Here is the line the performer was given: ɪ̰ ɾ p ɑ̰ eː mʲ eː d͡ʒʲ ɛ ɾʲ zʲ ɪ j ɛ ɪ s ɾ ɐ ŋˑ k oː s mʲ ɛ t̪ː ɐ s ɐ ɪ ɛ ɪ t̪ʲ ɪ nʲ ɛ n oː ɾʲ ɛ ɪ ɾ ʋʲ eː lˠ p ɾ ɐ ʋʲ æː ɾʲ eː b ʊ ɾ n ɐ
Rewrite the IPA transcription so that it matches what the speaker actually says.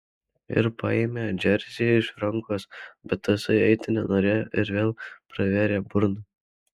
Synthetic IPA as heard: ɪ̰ ɾ p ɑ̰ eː mʲ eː d͡ʒʲ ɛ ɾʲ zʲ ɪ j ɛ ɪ ʃ ɾ ɐ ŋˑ k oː s bʲ ɛ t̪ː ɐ s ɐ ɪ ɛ ɪ t̪ʲ ɪ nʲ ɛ n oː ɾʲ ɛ ɪ ɾ ʋʲ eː lˠ p ɾ ɐ ʋʲ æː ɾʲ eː b ʊ ɾ n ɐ

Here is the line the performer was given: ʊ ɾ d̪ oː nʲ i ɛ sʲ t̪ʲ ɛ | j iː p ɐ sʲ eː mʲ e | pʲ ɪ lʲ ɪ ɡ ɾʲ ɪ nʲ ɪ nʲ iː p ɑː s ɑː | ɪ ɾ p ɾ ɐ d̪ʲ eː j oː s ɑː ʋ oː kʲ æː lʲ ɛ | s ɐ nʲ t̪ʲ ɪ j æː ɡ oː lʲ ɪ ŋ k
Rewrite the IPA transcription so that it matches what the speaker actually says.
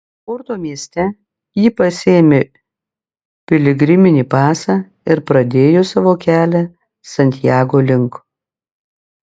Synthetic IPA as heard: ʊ ɾ t̪ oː mʲ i ɛ sʲ t̪ʲ ɛ | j iː p ɐ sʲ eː mʲ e | pʲ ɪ lʲ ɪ ɡ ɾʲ ɪ mʲ ɪ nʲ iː p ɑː s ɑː | ɪ ɾ p ɾ ɐ d̪ʲ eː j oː s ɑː ʋ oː kʲ æː lʲ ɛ | s ɐ nʲ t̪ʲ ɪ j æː ɡ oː lʲ ɪ ŋ k

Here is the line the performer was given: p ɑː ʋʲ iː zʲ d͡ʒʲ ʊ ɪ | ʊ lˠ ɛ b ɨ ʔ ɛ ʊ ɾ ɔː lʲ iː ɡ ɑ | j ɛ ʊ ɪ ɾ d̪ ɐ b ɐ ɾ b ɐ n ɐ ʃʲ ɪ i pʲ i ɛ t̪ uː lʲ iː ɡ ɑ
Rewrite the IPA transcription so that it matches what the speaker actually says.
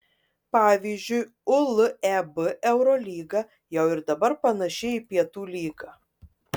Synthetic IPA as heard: p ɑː ʋʲ iː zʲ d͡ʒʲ ʊ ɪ | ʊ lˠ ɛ b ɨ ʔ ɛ ʊ ɾ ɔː lʲ iː ɡ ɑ | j ɛ ʊ ɪ ɾ d̪ ɐ b ɐ ɾ p ɐ n ɐ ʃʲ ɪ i pʲ i ɛ t̪ uː lʲ iː ɡ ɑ

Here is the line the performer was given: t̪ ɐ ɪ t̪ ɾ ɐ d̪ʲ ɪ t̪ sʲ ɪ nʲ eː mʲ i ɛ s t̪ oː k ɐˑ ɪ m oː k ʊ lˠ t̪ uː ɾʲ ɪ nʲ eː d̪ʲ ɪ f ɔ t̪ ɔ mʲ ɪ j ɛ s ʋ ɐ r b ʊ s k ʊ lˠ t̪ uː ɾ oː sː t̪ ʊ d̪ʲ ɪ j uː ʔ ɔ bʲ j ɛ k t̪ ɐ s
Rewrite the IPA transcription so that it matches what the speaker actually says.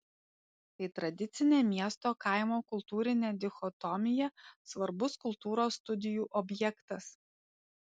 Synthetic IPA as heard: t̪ ɐ ɪ t̪ ɾ ɐ d̪ʲ ɪ t̪ sʲ ɪ nʲ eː mʲ i ɛ s t̪ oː k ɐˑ ɪ m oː k ʊ lˠ t̪ uː ɾʲ ɪ nʲ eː d̪ʲ ɪ x ɔ t̪ ɔ mʲ ɪ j ɛ s ʋ ɐ ɾ b ʊ s k ʊ lˠ t̪ uː ɾ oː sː t̪ ʊ d̪ʲ ɪ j uː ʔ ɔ bʲ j ɛ k t̪ ɐ s

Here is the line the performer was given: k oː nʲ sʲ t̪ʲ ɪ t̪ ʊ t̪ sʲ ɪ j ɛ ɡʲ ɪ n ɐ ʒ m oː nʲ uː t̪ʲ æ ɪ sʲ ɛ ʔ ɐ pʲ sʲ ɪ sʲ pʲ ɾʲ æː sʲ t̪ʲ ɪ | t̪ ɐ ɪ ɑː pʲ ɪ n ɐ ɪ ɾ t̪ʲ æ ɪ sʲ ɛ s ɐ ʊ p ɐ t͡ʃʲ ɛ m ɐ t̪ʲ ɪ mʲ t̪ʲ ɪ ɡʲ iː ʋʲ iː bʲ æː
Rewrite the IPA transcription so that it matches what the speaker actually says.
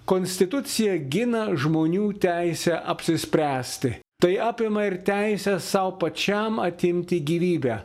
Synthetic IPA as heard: k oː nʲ sʲ t̪ʲ ɪ t̪ ʊ t̪ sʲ ɪ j ɛ ɡʲ ɪ n ɐ ʒ m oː nʲ uː t̪ʲ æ ɪ sʲ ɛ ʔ ɐ pʲ sʲ ɪ sʲ pʲ ɾʲ æː sʲ t̪ʲ ɪ | t̪ ɐ ɪ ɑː pʲ ɪ m ɐ ɪ ɾ t̪ʲ æ ɪ sʲ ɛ s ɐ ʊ p ɐ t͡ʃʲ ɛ m ɐ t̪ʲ ɪ mʲ t̪ʲ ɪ ɡʲ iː ʋʲ iː bʲ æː

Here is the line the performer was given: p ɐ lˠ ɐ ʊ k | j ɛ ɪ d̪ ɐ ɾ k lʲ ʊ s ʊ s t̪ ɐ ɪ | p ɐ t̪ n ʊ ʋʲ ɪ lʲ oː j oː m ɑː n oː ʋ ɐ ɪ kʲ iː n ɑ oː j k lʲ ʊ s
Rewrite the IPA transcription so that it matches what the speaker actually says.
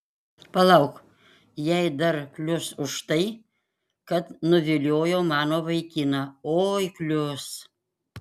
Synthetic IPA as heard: p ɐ lˠ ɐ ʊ k | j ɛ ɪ d̪ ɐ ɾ k lʲ ʊ s ʊ ʃ t̪ ɐ ɪ | k ɐ t̪ n ʊ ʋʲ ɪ lʲ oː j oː m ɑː n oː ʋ ɐ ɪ kʲ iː n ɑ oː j k lʲ ʊ s

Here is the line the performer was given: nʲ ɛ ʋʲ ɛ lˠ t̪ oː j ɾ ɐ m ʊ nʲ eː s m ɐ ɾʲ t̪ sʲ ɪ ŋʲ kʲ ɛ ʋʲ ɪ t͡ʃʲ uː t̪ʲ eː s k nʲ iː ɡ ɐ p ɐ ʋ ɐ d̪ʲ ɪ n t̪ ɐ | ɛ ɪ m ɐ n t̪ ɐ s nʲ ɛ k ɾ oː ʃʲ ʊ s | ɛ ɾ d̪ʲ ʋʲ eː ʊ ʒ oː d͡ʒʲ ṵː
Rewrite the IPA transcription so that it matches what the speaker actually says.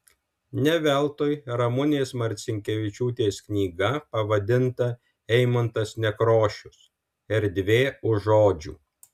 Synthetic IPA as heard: nʲ ɛ ʋʲ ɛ lˠ t̪ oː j ɾ ɐ m ʊ nʲ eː s m ɐ ɾʲ t̪ sʲ ɪ ŋʲ kʲ ɛ ʋʲ ɪ t͡ʃʲ uː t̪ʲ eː s k nʲ iː ɡ ɐ p ɐ ʋ ɐ d̪ʲ ɪ n t̪ ɐ | ɛ ɪ m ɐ n t̪ ɐ s nʲ ɛ k ɾ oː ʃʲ ʊ s | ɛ ɾ d̪ʲ ʋʲ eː ʊ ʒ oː d͡ʒʲ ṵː

